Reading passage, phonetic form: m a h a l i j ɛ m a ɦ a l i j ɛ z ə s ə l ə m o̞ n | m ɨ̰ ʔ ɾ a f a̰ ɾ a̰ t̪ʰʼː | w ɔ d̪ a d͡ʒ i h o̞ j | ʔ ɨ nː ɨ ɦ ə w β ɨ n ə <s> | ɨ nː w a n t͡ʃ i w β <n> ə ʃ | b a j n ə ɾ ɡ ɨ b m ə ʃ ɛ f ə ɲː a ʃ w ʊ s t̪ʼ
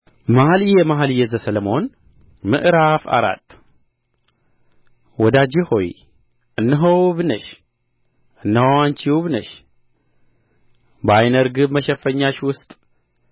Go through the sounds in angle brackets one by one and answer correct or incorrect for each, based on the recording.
incorrect, correct

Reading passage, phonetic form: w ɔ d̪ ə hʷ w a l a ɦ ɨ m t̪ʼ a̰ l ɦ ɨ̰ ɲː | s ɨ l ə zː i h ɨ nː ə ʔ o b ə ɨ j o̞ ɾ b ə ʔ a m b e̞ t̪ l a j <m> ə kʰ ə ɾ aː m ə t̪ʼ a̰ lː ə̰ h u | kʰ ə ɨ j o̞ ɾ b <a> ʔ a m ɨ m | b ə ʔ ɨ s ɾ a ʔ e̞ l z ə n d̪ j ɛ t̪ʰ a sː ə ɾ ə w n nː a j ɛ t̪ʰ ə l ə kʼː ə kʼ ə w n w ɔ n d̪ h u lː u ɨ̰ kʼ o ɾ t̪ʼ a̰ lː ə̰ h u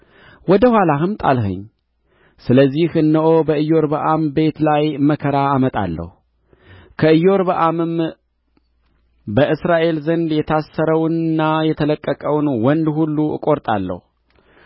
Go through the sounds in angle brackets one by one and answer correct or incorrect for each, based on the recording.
correct, incorrect

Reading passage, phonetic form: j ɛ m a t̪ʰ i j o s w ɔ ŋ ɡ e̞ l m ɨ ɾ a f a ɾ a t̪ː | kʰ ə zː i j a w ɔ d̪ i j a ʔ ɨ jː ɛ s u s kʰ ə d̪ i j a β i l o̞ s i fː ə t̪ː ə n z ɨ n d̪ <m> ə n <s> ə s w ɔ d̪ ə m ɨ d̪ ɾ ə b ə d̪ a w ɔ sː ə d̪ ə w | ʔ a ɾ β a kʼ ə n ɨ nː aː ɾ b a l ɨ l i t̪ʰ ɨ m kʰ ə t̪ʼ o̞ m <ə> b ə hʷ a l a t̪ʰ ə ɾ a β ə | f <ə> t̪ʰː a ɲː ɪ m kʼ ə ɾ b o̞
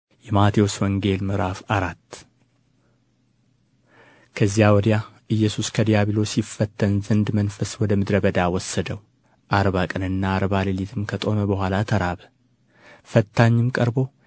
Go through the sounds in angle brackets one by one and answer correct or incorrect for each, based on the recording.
correct, incorrect, correct, correct

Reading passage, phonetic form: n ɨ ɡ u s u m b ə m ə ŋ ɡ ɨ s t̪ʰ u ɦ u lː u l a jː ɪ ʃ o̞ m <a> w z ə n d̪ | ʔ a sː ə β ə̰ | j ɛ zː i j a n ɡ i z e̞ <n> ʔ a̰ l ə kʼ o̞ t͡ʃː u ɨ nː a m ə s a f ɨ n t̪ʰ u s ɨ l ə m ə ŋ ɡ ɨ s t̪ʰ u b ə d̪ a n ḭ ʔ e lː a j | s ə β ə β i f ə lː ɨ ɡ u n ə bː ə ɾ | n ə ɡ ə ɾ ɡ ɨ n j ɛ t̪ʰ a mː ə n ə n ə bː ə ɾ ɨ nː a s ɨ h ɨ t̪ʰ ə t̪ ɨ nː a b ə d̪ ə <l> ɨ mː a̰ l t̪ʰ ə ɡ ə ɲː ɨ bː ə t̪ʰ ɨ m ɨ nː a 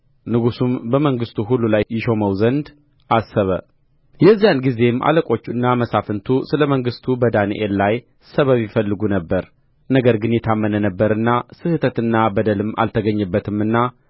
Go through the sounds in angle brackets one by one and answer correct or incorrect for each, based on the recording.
incorrect, incorrect, correct

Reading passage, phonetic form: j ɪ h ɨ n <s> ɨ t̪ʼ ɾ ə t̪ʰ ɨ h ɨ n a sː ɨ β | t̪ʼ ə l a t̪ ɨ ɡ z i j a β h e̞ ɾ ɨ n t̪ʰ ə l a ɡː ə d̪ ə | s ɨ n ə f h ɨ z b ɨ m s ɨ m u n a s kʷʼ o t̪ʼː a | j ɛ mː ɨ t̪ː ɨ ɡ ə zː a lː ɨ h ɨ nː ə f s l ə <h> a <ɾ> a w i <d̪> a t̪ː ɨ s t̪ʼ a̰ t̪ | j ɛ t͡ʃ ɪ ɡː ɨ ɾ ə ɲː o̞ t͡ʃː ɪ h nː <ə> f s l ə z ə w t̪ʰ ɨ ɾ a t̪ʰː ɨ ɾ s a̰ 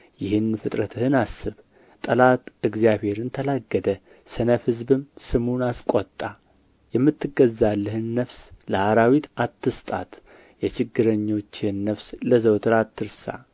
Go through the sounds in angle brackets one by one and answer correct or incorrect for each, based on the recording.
incorrect, correct, correct, incorrect, correct

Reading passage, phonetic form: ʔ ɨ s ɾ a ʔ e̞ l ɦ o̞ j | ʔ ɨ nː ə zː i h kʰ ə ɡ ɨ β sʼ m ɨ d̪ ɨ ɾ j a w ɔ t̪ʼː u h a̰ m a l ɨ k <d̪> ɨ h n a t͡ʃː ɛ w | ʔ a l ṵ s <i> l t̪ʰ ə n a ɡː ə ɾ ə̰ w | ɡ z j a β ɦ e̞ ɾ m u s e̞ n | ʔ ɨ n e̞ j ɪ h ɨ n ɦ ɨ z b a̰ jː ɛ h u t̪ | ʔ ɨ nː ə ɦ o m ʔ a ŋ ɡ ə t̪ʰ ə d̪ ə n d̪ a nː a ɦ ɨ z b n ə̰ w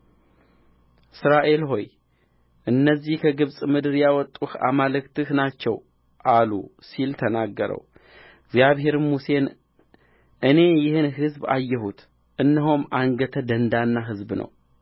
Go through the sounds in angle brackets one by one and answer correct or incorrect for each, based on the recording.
incorrect, correct

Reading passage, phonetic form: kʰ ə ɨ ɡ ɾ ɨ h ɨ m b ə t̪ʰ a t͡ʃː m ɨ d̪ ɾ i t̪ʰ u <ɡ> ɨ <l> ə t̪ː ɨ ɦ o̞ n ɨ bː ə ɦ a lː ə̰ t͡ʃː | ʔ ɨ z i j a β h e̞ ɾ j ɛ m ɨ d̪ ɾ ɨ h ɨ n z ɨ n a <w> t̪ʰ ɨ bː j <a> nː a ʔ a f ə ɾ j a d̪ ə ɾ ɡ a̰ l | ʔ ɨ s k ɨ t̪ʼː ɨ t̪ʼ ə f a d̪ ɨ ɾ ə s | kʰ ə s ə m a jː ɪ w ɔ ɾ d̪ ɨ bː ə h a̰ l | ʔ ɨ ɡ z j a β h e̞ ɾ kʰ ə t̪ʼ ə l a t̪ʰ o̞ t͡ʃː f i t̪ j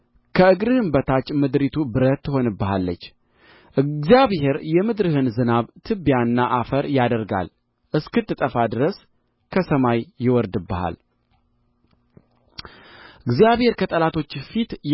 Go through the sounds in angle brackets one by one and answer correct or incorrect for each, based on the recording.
incorrect, incorrect, incorrect, correct

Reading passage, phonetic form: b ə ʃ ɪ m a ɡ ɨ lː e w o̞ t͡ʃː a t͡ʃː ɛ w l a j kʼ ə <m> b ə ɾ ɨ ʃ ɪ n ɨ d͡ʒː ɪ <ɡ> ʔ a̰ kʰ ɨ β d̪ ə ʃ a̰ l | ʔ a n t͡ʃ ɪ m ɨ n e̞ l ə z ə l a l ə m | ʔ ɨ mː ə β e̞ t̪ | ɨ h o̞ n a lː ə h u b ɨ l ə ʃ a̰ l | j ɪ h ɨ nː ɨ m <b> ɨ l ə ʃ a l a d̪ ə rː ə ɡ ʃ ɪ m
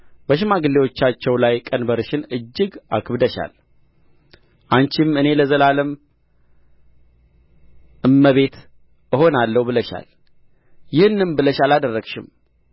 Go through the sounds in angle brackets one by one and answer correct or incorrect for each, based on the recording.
incorrect, correct, correct

